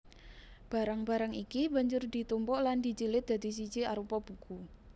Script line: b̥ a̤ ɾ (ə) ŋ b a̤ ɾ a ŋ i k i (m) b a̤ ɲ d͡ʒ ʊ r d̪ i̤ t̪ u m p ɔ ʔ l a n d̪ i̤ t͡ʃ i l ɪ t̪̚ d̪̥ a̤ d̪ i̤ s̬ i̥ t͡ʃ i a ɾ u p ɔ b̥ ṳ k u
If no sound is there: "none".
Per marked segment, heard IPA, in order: a, none

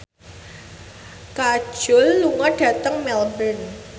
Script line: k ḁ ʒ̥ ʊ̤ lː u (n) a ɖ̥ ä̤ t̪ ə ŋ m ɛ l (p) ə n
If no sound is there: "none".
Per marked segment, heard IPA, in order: ŋ, b

